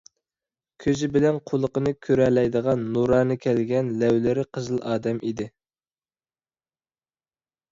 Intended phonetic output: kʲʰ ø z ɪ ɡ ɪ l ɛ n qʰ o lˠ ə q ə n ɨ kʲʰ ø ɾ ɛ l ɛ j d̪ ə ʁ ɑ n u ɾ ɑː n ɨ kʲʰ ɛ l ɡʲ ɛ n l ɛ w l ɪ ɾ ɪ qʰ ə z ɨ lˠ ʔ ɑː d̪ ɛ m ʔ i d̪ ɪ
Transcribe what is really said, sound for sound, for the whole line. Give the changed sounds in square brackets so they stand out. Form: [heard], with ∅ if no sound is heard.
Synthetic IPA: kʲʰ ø z ɪ [b] ɪ l ɛ n qʰ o lˠ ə q ə n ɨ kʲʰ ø ɾ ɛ l ɛ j d̪ ə ʁ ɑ [nː] u ɾ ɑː n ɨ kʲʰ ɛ l ɡʲ ɛ n l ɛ w l ɪ ɾ ɪ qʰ ə z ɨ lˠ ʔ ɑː d̪ ɛ m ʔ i d̪ ɪ